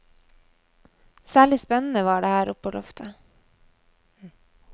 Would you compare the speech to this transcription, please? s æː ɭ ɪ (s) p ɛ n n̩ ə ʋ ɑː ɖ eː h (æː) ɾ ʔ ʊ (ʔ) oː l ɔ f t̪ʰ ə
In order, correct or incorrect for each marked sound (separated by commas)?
correct, correct, incorrect